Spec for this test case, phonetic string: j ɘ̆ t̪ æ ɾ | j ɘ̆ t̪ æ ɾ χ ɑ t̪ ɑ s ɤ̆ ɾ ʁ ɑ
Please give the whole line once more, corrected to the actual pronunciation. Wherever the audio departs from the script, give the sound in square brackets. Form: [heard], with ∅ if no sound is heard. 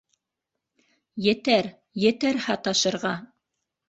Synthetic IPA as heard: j ɘ̆ t̪ æ ɾ | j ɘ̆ t̪ æ ɾ [h] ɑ t̪ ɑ [ʃ] ɤ̆ ɾ ʁ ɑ

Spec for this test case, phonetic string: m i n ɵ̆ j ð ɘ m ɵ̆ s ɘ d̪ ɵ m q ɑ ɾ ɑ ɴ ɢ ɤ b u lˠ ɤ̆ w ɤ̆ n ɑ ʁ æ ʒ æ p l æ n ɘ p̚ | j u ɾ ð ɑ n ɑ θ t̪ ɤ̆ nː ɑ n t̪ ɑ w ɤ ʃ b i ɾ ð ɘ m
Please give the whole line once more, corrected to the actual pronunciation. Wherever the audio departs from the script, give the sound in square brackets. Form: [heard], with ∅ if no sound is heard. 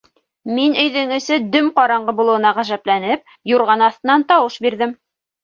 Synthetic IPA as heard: m i n ɵ̆ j ð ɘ [ŋ] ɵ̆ s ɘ d̪ ɵ m q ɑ ɾ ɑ ɴ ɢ ɤ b u lˠ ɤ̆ w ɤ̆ n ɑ ʁ æ ʒ æ p l æ n ɘ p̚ | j u ɾ [ʁ] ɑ n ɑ θ t̪ ɤ̆ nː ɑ n t̪ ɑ w ɤ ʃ b i ɾ ð ɘ m

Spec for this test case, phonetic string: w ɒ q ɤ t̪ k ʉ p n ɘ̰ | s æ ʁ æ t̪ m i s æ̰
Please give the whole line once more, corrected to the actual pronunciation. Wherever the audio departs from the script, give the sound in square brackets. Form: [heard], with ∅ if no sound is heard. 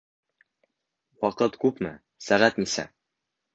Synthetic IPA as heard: w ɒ q ɤ t̪ k ʉ p [m] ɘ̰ | s æ ʁ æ t̪ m i s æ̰

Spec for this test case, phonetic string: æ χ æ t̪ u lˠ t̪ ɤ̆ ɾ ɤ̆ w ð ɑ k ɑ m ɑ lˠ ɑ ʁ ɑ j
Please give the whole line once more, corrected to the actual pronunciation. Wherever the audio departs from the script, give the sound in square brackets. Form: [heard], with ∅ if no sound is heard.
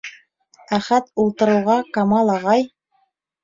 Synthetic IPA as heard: æ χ æ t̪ u lˠ t̪ ɤ̆ ɾ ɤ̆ w [ʁ] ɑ k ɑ m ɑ lˠ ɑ ʁ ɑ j

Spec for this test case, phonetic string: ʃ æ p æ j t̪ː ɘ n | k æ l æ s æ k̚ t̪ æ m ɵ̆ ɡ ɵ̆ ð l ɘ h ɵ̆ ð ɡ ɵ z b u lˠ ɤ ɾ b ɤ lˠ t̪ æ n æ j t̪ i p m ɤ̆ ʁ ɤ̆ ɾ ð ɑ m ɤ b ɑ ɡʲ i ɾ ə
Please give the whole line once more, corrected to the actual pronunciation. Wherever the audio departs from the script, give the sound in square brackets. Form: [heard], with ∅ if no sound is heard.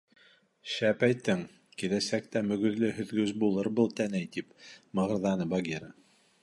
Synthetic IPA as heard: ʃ æ p æ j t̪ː ɘ [ŋ] | k [i] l æ s æ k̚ t̪ æ m ɵ̆ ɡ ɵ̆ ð l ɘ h ɵ̆ ð ɡ ɵ z b u lˠ ɤ ɾ b ɤ lˠ t̪ æ n æ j t̪ i p m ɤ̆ ʁ ɤ̆ ɾ ð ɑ [n] ɤ b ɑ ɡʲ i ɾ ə

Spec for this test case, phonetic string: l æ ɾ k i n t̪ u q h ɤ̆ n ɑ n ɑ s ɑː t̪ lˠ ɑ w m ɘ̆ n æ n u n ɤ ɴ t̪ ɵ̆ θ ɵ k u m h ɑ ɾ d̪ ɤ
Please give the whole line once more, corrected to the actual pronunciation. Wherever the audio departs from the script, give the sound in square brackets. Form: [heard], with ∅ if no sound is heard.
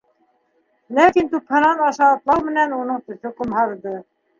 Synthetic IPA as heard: l æ [∅] k i n t̪ u [p] h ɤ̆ n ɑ n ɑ [ʃ] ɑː t̪ lˠ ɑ w m ɘ̆ n æ n u n ɤ ɴ t̪ ɵ̆ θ ɵ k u m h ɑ ɾ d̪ ɤ

